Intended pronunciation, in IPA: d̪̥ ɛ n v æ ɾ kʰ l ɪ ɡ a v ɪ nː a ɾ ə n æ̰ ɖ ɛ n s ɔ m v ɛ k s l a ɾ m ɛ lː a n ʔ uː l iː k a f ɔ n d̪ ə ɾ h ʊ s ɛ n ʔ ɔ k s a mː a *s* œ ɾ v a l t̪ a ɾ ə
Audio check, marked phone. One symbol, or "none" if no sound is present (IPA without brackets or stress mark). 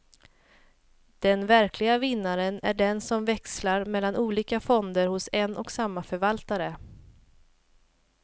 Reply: f